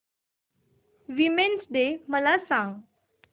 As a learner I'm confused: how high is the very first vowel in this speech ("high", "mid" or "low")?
high